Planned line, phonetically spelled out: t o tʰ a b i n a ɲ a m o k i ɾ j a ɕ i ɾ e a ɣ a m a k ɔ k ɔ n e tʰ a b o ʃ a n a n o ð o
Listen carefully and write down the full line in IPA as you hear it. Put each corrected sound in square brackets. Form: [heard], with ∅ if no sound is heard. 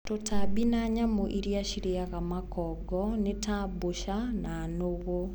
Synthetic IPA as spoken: t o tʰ a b i n a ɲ a m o [ʔ] i ɾ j a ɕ i ɾ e a ɣ a m a k ɔ [ɡ] ɔ n e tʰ a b o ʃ a n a n o [ɣ] o